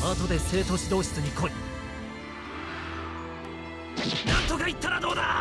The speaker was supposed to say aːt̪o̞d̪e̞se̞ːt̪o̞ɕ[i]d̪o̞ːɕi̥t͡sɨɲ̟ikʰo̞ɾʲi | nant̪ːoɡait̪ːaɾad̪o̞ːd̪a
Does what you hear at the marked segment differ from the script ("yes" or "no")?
no